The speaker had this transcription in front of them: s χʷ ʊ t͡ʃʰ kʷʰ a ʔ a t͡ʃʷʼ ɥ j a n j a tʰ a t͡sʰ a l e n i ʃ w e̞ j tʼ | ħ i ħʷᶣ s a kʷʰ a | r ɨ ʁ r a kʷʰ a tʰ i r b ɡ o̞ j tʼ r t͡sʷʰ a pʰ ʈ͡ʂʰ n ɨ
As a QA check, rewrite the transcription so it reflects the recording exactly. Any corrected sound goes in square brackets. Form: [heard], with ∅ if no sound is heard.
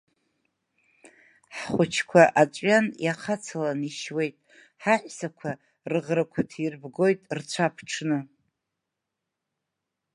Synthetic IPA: [ħ] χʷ ʊ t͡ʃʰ kʷʰ a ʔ a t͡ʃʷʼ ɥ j a n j a [qʰ] a t͡sʰ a l [a] n i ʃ w e̞ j tʼ | ħ [a] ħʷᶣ s a kʷʰ a | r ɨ ʁ r a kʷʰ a tʰ i r b ɡ o̞ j tʼ r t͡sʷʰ a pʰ ʈ͡ʂʰ n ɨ